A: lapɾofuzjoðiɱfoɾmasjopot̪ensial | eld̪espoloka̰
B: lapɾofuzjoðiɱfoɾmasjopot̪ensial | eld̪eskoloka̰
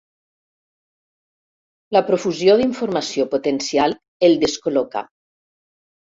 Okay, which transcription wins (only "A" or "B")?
B